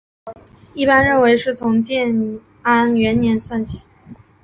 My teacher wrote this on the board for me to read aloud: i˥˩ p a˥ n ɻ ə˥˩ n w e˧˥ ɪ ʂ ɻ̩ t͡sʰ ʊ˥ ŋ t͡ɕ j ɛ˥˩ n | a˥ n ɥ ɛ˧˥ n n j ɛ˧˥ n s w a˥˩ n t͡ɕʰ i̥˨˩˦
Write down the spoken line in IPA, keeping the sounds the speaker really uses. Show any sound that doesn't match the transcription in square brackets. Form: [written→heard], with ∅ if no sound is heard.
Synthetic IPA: i˥˩ p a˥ n ɻ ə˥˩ n w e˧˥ ɪ ʂ ɻ̩ t͡sʰ [ʊ˥→ʊ˧˥] ŋ t͡ɕ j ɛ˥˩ n | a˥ n ɥ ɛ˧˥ n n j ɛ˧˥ n s w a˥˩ n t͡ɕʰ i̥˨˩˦